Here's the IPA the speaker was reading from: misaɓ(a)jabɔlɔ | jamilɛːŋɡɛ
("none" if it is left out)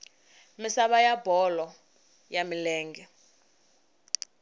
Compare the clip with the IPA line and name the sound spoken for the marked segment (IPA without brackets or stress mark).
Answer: a